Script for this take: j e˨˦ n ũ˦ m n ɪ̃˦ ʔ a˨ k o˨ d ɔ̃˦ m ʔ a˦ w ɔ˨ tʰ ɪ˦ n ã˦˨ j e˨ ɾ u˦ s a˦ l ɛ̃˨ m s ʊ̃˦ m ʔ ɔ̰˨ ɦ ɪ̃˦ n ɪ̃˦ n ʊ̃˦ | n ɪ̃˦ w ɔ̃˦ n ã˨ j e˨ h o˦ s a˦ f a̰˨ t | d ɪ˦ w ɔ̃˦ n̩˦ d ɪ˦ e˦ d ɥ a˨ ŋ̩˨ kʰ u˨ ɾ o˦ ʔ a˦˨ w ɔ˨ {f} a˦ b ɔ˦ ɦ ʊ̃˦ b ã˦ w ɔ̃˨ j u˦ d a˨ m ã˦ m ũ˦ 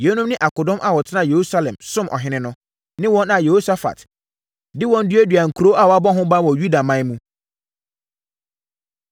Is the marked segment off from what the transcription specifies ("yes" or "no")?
yes